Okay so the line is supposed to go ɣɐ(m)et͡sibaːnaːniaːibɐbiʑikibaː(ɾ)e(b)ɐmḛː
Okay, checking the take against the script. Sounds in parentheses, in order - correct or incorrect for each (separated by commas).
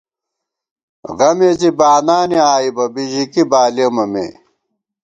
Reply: correct, incorrect, incorrect